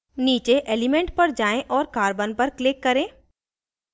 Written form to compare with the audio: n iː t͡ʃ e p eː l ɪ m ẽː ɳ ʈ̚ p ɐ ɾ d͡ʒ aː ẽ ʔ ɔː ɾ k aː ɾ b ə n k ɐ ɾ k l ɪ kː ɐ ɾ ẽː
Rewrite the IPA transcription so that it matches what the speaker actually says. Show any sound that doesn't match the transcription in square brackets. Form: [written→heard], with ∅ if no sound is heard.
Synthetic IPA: n iː t͡ʃ e [p→ʔ] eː l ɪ m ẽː ɳ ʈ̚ p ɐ ɾ d͡ʒ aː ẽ ʔ ɔː ɾ k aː ɾ b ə n [k→p] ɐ ɾ k l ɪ kː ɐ ɾ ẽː

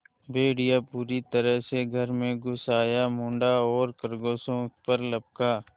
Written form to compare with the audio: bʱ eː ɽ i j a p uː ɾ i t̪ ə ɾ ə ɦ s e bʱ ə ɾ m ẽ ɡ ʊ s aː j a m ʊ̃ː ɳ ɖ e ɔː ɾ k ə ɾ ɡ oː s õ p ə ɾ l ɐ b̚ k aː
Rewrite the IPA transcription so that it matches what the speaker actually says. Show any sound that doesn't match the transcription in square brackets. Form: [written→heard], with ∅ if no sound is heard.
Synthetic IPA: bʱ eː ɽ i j a p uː ɾ i t̪ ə ɾ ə ɦ s e [bʱ→ɡʱ] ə ɾ m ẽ ɡ ʊ s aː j a m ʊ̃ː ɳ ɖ [e→a] ɔː ɾ k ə ɾ ɡ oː s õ p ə ɾ l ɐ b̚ k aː

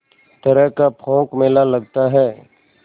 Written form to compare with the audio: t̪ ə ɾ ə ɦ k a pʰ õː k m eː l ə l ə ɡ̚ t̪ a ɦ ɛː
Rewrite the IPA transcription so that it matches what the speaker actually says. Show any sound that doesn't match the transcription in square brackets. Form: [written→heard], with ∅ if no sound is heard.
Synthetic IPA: t̪ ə ɾ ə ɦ k a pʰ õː k m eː l [ə→a] l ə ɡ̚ t̪ a ɦ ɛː

